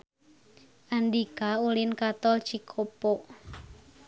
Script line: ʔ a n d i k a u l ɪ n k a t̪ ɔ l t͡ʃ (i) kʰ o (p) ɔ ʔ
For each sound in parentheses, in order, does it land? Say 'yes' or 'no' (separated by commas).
yes, yes